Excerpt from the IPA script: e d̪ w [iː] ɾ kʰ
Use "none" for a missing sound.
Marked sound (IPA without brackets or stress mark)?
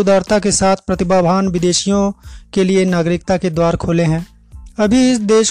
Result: aː